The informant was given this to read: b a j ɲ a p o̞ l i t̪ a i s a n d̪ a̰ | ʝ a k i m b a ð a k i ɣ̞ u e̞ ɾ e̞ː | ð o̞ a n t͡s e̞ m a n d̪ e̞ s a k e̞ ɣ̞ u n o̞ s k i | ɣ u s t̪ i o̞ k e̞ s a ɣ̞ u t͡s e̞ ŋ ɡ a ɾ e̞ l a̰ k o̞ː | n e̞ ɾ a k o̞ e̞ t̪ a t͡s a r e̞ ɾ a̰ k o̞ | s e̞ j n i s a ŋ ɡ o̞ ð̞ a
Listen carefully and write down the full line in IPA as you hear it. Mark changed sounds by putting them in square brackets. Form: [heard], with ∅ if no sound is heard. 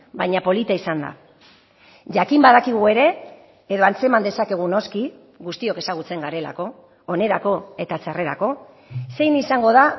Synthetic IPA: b a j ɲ a p o̞ l i t̪ a i s a n d̪ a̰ | ʝ a k i m b a ð a k i ɣ̞ u e̞ ɾ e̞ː | ð o̞ a n t͡s e̞ m a n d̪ e̞ s a k e̞ ɣ̞ u n o̞ s k i | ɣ u s t̪ i o̞ k e̞ s a ɣ̞ u t͡s e̞ ŋ ɡ a ɾ e̞ l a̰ k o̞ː | n e̞ ɾ a k o̞ e̞ t̪ a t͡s a r e̞ ɾ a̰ k o̞ | s e̞ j n i s a ŋ ɡ o̞ ð̞ a